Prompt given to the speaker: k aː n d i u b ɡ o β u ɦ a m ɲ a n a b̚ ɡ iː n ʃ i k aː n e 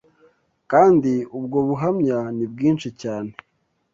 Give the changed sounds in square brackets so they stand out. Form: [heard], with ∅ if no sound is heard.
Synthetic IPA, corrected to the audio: k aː n d i u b ɡ o β u ɦ a m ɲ a n [i] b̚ ɡ iː n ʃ i [c] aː n e